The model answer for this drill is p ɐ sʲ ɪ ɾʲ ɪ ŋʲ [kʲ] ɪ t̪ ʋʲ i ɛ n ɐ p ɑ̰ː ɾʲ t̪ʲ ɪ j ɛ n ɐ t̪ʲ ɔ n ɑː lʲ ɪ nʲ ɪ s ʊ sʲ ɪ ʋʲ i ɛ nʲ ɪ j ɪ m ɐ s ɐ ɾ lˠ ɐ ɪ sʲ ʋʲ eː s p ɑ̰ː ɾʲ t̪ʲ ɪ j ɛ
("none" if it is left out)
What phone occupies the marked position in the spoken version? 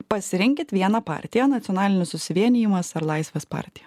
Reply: kʲ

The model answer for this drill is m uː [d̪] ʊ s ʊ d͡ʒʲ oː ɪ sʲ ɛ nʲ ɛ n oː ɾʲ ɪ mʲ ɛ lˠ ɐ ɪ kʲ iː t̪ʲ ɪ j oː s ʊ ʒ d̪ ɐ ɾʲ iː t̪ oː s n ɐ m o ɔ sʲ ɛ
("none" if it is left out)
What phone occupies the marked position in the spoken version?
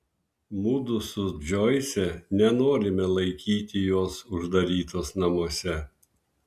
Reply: d̪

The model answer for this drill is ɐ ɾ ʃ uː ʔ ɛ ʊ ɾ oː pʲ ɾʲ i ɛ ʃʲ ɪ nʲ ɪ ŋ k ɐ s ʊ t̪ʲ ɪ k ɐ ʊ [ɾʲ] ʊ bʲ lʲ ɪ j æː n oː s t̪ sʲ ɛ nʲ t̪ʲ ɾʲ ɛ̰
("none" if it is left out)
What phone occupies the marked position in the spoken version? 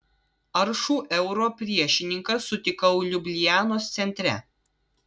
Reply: lʲ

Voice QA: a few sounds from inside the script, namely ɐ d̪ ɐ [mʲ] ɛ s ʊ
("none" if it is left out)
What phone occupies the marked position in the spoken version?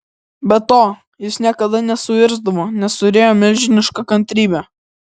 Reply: nʲ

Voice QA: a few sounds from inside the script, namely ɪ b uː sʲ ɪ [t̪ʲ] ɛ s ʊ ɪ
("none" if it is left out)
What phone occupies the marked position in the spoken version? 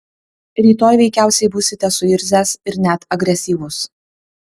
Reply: t̪ʲ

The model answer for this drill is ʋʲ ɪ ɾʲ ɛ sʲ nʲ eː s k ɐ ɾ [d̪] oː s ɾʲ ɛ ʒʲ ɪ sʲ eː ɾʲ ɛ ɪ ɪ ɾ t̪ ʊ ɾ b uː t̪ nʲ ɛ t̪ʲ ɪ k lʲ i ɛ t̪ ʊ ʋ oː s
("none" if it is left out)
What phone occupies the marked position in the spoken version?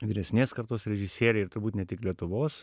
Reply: t̪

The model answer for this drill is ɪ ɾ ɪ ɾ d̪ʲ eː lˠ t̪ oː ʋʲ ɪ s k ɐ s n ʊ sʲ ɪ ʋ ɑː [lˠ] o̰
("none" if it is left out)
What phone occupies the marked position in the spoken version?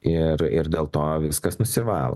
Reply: lˠ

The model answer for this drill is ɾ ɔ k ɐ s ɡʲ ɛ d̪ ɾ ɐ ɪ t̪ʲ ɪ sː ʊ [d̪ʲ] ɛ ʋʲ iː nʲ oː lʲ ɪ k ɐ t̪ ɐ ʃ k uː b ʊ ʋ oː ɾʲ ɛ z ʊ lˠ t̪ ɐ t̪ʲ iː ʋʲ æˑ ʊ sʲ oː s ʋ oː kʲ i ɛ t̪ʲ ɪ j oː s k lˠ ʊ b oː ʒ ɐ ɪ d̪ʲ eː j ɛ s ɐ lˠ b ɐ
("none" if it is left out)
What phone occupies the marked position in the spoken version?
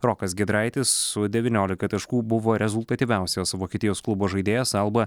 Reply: d̪ʲ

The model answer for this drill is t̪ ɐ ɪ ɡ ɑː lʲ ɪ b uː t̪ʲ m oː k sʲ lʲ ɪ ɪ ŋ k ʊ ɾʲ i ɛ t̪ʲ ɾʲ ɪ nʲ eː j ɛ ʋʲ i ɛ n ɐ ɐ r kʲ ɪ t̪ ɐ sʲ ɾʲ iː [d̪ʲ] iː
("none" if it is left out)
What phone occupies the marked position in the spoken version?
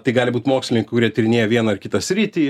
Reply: t̪ʲ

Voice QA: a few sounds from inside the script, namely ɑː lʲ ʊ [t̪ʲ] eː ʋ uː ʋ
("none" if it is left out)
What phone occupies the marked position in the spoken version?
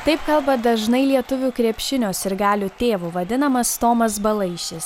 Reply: t̪ʲ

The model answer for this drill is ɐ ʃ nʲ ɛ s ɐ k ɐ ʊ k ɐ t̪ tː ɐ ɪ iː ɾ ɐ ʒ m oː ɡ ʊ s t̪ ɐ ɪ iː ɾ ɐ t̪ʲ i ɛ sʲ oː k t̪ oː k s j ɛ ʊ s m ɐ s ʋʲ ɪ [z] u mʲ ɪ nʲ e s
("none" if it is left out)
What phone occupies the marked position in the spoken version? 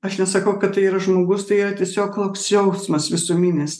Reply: s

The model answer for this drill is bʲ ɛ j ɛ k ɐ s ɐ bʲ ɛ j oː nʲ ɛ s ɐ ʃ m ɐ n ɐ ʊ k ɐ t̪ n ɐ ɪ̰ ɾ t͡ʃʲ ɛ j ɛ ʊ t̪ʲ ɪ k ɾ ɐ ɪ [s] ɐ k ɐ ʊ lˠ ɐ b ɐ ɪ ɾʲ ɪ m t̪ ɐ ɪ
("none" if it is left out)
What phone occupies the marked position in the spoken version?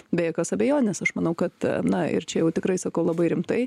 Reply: s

